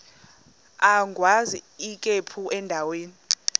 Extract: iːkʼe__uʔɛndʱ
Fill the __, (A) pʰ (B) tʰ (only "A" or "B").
A